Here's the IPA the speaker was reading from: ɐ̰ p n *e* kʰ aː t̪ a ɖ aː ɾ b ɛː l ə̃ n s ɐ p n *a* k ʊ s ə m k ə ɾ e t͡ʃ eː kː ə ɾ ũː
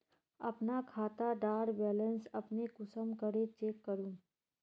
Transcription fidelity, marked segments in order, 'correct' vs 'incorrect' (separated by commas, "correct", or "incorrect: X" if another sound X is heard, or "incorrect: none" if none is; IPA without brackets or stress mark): incorrect: a, incorrect: e